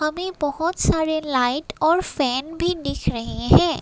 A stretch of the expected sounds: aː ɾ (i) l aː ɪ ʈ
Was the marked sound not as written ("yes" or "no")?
yes